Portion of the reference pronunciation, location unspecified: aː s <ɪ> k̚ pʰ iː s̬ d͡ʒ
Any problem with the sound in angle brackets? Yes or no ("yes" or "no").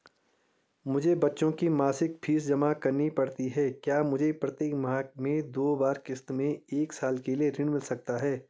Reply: no